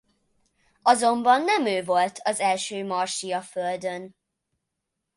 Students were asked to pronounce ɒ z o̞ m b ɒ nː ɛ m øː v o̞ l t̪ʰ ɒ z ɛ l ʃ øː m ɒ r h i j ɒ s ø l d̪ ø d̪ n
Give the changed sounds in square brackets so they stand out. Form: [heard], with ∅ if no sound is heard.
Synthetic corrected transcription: ɒ z o̞ m b ɒ nː ɛ m øː v o̞ l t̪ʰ ɒ z ɛ l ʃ øː m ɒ r [ʃ] i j ɒ [f] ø l d̪ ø [∅] n

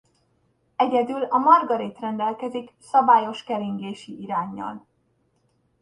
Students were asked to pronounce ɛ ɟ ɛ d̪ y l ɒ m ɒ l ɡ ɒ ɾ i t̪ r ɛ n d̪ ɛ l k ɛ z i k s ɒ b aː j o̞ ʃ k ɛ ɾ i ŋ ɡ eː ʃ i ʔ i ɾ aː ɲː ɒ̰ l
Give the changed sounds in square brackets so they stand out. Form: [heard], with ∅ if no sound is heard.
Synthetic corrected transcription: ɛ ɟ ɛ d̪ y l ɒ m ɒ [r] ɡ ɒ ɾ i t̪ r ɛ n d̪ ɛ l k ɛ z i k s ɒ b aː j o̞ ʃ k ɛ ɾ i ŋ ɡ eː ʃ i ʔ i ɾ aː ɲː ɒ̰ l

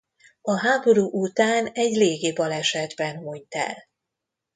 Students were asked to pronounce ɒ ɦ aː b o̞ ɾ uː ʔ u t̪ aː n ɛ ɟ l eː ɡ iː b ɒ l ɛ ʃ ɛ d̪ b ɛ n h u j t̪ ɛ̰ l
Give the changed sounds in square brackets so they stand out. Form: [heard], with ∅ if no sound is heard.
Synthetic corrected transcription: ɒ ɦ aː b o̞ ɾ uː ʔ u t̪ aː n ɛ ɟ l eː ɡ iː b ɒ l ɛ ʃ ɛ d̪ b ɛ n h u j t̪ ɛ̰ l

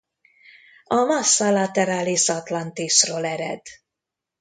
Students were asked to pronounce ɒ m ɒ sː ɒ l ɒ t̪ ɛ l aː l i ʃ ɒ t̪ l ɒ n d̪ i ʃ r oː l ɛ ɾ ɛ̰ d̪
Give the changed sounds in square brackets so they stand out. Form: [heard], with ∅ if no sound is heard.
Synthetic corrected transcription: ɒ m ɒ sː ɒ l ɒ t̪ ɛ [ɾ] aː l i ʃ ɒ t̪ l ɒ n [t̪] i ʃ r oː l ɛ ɾ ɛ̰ d̪

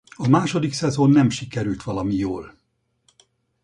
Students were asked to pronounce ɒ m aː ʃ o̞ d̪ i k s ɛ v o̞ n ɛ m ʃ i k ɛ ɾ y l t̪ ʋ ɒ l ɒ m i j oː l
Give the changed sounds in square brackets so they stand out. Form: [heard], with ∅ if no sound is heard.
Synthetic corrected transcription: ɒ m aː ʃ o̞ d̪ i k s ɛ [z] o̞ [nː] ɛ m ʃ i k ɛ ɾ y l t̪ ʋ ɒ l ɒ m i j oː l

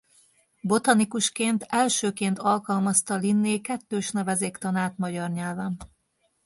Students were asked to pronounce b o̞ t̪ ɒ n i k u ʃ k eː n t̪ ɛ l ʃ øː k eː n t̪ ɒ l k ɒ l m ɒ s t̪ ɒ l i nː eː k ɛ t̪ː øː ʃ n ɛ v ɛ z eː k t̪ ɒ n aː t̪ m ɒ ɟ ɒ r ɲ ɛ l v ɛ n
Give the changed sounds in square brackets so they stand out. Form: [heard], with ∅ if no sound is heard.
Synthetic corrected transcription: b o̞ t̪ ɒ n i k u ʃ k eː n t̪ ɛ l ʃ øː k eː n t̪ ɒ l k ɒ l m ɒ s t̪ ɒ l i nː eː k ɛ t̪ː øː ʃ n ɛ v ɛ z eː k t̪ ɒ n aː t̪ m ɒ ɟ ɒ r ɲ ɛ l v ɛ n

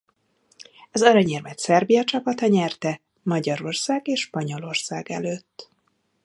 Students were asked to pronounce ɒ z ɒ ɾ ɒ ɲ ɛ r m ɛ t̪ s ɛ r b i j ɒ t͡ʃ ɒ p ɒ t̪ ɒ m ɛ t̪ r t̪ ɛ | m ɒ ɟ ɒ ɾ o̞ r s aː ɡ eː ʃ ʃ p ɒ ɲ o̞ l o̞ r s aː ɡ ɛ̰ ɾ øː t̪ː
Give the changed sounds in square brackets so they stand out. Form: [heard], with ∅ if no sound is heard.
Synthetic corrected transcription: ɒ z ɒ ɾ ɒ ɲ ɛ r m ɛ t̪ s ɛ r b i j ɒ t͡ʃ ɒ p ɒ t̪ ɒ [ɲ] ɛ [∅] r t̪ ɛ | m ɒ ɟ ɒ ɾ o̞ r s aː ɡ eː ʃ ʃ p ɒ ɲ o̞ l o̞ r s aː ɡ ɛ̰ [l] øː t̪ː

